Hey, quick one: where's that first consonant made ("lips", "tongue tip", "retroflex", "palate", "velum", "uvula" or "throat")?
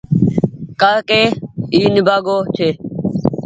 velum